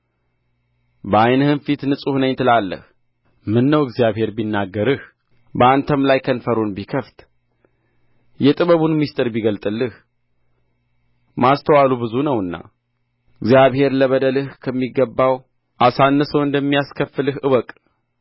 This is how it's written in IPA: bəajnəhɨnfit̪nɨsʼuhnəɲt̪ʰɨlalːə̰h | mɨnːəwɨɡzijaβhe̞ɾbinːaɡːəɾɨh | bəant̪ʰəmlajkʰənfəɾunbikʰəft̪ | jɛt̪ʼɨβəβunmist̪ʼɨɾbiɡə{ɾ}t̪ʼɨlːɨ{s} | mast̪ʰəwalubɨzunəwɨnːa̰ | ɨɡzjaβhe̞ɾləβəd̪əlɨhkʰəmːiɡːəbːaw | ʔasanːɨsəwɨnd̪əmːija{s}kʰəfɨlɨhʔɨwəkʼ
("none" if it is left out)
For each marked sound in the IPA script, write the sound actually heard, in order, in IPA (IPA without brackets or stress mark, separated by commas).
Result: l, h, s